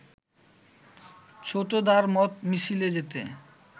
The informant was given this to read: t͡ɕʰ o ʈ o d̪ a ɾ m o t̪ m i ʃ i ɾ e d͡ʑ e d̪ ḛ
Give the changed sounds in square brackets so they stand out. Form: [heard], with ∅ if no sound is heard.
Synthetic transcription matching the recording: t͡ɕʰ o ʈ o d̪ a ɾ m [ɔ] t̪ m i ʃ i [l] e d͡ʑ e [t̪] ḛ